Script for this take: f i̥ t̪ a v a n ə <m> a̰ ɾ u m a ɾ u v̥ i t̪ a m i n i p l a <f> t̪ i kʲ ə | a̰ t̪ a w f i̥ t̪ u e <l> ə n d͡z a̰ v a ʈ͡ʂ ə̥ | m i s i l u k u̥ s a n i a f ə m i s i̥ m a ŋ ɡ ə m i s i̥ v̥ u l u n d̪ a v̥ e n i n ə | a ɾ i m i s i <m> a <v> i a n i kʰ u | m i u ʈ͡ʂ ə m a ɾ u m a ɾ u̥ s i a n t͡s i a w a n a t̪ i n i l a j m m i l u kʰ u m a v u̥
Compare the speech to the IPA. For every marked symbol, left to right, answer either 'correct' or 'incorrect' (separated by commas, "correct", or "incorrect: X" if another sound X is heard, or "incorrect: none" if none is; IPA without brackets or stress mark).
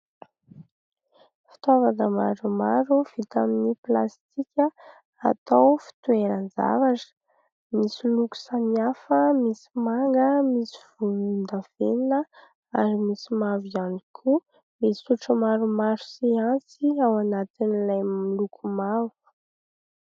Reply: correct, incorrect: s, incorrect: ɾ, correct, correct